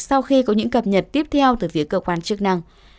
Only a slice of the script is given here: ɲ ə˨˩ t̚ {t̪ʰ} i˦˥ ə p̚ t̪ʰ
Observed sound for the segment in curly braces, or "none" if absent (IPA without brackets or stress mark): t̪